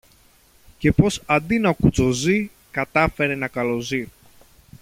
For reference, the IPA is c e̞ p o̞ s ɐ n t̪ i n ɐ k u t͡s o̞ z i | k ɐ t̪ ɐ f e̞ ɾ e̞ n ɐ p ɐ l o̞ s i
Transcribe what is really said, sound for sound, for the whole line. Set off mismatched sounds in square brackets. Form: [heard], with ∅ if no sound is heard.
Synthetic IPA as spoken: c e̞ p o̞ s ɐ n [d̪] i n ɐ k u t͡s o̞ z i | k ɐ t̪ ɐ f e̞ ɾ e̞ n ɐ [k] ɐ l o̞ [z] i

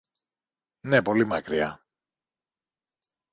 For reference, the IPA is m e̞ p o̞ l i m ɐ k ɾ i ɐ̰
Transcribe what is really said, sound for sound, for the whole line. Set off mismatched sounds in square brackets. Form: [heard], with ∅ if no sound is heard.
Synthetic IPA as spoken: [n] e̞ p o̞ l i m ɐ k ɾ i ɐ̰

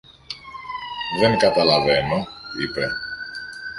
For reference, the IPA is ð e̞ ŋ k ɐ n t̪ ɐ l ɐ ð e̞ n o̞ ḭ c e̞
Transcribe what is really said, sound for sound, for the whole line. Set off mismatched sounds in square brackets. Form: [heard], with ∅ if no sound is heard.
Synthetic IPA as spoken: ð e̞ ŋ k ɐ [∅] t̪ ɐ l ɐ [v] e̞ n o̞ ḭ [p] e̞

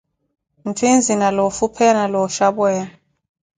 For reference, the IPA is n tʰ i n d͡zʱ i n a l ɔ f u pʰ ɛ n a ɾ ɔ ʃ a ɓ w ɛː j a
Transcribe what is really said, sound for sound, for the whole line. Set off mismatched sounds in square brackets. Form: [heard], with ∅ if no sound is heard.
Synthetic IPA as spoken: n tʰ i n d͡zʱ i n a l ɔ f u pʰ ɛ n a [l] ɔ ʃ a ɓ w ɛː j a

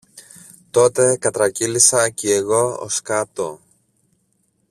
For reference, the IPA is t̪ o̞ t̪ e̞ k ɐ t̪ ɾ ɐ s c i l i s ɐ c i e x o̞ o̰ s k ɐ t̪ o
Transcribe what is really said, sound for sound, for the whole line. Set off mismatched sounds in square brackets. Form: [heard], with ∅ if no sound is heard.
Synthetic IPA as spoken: t̪ o̞ t̪ e̞ k ɐ t̪ ɾ ɐ [∅] c i l i s ɐ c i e [ɣ] o̞ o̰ s k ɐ t̪ o

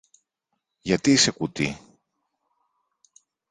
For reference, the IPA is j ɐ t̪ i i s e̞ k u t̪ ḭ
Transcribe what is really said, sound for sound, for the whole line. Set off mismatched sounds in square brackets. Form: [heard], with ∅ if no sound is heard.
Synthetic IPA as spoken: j ɐ t̪ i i s e̞ k u t̪ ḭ

